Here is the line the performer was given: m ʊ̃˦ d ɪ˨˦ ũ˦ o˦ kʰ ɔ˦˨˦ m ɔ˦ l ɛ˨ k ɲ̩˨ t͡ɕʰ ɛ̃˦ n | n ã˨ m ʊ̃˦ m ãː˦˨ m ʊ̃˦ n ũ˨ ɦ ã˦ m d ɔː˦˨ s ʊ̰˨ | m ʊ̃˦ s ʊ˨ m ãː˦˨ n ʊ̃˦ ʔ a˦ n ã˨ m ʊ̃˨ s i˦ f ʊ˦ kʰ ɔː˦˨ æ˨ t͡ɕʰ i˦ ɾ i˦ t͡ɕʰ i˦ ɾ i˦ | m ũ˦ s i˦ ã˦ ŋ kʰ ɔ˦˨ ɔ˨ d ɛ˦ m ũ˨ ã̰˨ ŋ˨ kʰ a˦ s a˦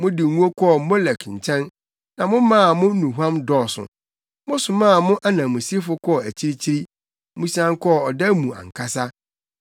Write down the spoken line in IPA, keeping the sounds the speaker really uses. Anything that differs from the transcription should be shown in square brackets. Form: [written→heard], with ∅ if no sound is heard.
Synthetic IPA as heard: m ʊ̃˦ d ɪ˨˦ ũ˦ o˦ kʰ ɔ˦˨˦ m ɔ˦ l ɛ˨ k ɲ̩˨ t͡ɕʰ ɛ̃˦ n | n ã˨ m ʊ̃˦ m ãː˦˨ m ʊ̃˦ n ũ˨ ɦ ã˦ m d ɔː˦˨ s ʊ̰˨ | m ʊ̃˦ s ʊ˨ m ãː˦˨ [n→m] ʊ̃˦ ʔ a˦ n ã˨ m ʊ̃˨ s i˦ f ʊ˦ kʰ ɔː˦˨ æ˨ t͡ɕʰ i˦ ɾ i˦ t͡ɕʰ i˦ ɾ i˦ | m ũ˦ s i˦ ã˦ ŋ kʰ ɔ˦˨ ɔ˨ d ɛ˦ m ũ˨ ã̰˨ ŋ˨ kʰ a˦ s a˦